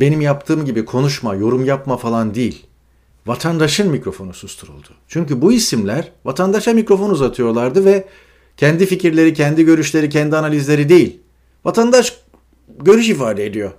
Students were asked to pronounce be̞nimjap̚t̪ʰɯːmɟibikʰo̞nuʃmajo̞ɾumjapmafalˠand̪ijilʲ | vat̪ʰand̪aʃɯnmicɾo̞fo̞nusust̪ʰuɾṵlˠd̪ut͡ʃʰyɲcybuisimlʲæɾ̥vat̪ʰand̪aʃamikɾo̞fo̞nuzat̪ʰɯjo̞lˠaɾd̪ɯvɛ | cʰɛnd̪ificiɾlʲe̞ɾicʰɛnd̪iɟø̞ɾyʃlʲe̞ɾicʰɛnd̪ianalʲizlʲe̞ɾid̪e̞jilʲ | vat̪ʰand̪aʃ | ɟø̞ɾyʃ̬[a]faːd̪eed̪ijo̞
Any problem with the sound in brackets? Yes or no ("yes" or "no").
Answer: yes